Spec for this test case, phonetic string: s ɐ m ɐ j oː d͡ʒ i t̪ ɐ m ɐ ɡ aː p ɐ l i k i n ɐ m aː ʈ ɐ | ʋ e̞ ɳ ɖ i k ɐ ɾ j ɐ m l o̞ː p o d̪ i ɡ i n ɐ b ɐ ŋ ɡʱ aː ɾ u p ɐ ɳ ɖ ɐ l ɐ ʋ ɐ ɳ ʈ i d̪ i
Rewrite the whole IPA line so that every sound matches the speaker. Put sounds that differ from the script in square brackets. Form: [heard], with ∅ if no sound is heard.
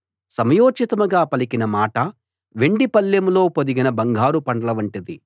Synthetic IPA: s ɐ m ɐ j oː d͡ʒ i t̪ ɐ m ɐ ɡ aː p ɐ l i k i n ɐ m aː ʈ ɐ | ʋ e̞ ɳ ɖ i [p] ɐ [l] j ɐ m l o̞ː p o d̪ i ɡ i n ɐ b ɐ ŋ ɡʱ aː ɾ u p ɐ ɳ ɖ ɐ l ɐ ʋ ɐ ɳ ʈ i d̪ i